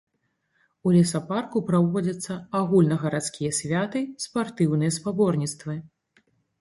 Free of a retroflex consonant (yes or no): yes